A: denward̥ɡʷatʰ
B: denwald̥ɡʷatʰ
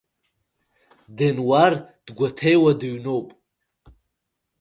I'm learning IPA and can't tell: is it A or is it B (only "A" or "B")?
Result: A